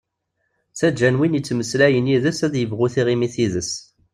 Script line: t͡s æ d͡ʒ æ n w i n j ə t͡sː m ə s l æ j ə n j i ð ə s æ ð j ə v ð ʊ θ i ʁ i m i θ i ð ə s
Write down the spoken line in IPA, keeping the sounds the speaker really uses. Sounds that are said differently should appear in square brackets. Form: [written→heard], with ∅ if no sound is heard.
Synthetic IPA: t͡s æ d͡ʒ æ n w i n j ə t͡sː m ə s l æ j ə n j i ð ə s æ ð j ə v [ð→ʁ] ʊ θ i ʁ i m i θ i ð ə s